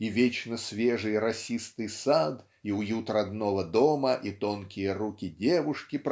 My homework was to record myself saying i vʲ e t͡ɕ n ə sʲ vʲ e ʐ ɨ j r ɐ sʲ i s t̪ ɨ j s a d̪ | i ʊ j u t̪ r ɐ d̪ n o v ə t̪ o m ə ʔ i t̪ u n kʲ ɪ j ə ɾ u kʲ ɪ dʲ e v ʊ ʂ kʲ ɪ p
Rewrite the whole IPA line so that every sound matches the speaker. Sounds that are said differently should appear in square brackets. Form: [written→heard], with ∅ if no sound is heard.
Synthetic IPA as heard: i vʲ e t͡ɕ n ə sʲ vʲ e ʐ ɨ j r ɐ sʲ i s t̪ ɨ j s a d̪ | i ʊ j u t̪ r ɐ d̪ n o v ə [t̪→d̪] o m ə ʔ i t̪ [u→o] n kʲ ɪ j ə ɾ u kʲ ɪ dʲ e v ʊ ʂ kʲ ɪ p